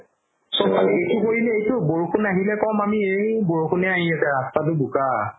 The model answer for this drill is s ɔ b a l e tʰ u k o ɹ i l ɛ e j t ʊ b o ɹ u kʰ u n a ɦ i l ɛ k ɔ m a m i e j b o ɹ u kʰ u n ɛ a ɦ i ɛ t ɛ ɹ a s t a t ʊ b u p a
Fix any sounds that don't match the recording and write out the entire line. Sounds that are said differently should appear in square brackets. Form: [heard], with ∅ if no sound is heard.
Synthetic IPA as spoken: s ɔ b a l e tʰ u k o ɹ i l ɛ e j t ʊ b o ɹ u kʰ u n a ɦ i l ɛ k ɔ m a m i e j b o ɹ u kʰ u n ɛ a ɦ i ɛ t ɛ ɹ a s t a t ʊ b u [k] a